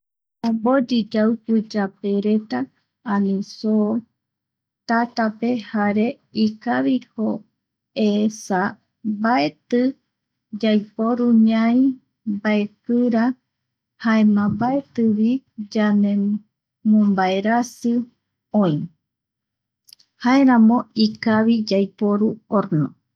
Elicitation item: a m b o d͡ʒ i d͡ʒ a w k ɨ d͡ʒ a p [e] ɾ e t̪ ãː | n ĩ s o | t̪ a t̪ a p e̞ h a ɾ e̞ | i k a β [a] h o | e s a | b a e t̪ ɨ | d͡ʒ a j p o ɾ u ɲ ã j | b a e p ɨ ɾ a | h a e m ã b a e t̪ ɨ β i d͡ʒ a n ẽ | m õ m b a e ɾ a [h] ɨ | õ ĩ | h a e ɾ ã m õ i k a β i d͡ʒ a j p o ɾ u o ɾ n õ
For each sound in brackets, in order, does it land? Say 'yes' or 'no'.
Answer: yes, no, no

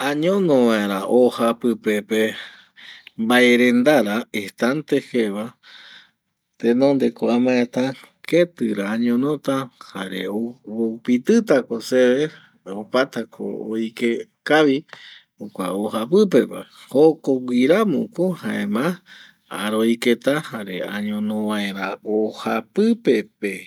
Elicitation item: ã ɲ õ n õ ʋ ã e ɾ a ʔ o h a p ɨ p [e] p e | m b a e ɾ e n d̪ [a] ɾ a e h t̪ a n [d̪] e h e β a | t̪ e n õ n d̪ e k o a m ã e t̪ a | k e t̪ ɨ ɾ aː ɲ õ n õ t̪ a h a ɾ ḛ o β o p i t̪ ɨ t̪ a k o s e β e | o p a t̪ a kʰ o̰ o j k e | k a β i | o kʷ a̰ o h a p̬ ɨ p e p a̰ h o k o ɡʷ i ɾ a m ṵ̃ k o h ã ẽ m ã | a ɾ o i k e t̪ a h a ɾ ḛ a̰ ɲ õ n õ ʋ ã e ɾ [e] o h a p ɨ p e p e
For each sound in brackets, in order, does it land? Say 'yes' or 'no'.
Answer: yes, yes, no, no

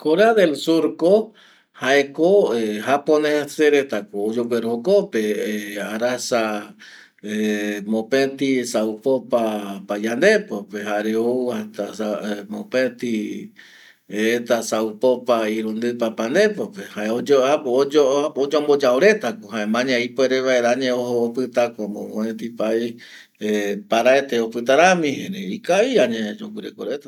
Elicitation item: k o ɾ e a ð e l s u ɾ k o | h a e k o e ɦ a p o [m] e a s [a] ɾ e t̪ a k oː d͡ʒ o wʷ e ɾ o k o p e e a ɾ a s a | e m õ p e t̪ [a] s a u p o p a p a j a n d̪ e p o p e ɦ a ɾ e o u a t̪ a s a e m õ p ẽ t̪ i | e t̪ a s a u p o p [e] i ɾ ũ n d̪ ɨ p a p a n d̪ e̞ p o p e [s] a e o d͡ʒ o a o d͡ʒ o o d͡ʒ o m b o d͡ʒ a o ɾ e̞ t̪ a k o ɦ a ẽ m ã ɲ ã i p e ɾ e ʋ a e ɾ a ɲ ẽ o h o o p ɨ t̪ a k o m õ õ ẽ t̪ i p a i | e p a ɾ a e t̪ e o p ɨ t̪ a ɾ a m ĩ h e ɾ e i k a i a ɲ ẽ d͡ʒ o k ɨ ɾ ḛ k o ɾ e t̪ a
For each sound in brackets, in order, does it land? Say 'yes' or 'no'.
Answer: no, no, no, no, no

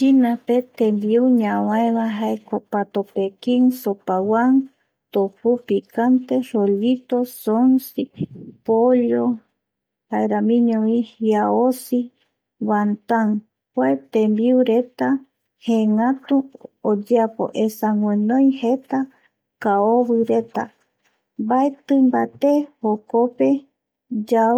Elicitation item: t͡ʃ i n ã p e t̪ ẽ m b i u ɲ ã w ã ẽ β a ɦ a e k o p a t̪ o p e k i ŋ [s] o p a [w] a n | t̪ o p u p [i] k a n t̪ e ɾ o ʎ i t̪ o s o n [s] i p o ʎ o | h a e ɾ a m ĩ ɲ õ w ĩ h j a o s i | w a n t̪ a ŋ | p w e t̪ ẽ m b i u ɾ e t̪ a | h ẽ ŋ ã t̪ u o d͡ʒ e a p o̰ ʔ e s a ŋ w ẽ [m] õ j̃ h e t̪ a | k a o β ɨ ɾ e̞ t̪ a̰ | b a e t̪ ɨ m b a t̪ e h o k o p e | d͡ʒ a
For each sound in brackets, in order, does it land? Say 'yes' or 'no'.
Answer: yes, yes, yes, yes, no

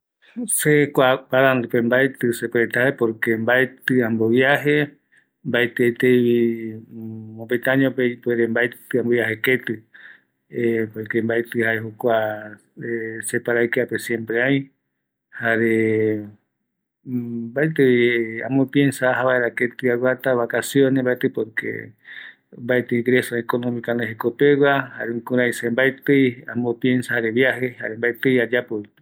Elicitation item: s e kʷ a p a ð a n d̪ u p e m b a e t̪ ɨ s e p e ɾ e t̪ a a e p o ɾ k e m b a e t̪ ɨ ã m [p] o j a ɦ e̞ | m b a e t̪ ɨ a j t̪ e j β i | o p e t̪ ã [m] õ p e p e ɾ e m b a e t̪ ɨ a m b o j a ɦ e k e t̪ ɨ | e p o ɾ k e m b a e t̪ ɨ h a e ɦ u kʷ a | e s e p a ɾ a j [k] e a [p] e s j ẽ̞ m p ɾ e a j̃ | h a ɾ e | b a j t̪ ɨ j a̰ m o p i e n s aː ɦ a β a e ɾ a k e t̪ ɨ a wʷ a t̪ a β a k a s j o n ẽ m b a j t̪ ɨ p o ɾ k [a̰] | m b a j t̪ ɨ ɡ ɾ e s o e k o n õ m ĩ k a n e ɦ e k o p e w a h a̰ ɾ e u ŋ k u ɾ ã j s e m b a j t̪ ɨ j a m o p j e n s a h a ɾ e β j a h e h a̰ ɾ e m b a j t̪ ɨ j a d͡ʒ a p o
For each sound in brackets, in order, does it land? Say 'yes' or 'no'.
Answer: no, no, yes, yes, no

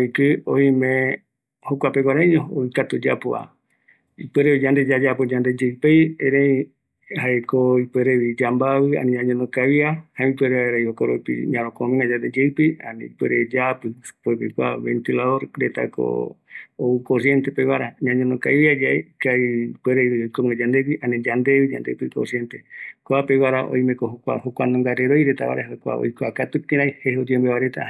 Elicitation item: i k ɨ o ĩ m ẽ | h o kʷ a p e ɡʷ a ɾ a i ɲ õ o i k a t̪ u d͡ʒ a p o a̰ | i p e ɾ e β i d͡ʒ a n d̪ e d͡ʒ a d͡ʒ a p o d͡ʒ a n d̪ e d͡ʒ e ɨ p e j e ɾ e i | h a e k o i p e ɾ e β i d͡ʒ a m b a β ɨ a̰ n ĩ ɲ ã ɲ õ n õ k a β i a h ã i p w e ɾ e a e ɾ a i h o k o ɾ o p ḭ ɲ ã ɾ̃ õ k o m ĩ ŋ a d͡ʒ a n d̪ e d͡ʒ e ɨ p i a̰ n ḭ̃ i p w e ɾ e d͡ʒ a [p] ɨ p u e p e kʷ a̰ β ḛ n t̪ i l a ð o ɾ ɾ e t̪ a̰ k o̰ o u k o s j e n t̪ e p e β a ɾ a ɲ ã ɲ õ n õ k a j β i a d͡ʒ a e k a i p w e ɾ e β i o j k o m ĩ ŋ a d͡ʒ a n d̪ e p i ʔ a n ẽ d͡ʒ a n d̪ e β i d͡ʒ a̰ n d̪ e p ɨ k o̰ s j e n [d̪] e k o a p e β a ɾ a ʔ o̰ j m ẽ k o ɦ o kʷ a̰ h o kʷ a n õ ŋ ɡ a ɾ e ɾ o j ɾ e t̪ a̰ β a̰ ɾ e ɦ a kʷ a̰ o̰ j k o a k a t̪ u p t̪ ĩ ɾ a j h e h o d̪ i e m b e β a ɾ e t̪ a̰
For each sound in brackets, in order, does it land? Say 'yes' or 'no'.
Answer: yes, no

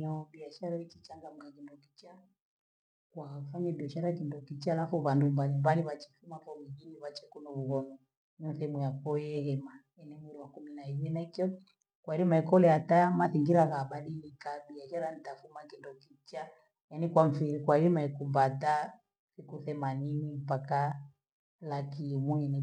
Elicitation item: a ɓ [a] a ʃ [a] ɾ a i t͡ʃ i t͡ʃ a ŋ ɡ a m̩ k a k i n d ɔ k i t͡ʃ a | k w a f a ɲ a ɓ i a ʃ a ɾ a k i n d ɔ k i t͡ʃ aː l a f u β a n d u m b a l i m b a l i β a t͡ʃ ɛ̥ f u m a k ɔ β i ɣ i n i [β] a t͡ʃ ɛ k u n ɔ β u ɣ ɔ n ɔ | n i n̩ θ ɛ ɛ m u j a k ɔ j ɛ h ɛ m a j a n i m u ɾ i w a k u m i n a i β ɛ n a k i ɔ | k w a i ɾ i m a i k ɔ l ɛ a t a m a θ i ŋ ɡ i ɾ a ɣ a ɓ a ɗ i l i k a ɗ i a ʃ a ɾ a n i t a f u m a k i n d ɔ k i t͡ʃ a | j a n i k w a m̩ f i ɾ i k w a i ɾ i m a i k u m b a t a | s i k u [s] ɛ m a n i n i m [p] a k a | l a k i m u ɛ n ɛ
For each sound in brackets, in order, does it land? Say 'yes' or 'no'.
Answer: no, yes, yes, no, yes

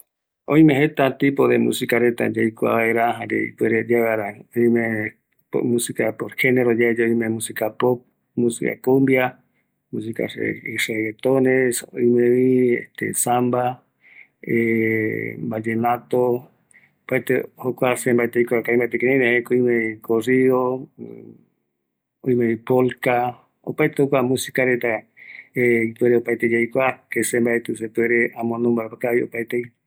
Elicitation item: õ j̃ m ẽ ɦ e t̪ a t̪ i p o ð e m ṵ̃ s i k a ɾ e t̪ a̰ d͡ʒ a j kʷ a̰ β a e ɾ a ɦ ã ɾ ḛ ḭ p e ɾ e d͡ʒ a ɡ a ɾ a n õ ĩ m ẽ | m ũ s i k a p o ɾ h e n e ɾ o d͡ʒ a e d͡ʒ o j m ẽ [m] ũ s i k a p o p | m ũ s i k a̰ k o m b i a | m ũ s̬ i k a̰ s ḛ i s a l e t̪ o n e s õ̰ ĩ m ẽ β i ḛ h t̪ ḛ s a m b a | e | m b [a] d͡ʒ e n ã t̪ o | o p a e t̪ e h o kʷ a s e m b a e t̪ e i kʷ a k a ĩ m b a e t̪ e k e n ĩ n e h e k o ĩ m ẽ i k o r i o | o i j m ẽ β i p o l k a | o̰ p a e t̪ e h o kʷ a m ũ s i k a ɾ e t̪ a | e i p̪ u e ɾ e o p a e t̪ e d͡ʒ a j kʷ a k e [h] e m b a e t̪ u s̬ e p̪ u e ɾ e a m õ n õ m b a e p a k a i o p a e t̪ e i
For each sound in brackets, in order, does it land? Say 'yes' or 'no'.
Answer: yes, yes, no

